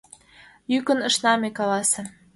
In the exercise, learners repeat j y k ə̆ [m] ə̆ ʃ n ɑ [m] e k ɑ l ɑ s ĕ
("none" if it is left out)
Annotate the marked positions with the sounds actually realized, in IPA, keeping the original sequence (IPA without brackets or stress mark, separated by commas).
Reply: n, m